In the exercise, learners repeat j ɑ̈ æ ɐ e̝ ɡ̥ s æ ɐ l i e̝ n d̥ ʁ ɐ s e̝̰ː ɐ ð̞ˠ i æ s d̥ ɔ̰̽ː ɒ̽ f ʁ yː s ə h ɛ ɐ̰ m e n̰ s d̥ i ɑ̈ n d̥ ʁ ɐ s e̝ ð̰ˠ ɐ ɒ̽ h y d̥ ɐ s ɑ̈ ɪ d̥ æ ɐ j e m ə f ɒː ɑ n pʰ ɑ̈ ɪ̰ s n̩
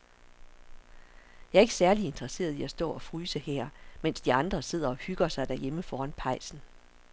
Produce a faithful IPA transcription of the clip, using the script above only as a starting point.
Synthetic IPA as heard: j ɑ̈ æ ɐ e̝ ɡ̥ s æ ɐ l i e̝ n d̥ ʁ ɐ s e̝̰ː ɐ ð̞ˠ i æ s d̥ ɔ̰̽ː ɒ̽ f ʁ yː s ə h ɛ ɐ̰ m e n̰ s d̥ i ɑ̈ n d̥ ʁ ɐ s e̝ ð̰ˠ ɐ ɒ̽ h y ɡ̥ ɐ s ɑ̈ ɪ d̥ æ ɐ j e m ə f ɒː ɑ n pʰ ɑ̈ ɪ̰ s n̩